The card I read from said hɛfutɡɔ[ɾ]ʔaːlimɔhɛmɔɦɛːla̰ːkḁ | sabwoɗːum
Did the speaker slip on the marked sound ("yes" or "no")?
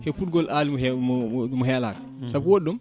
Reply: yes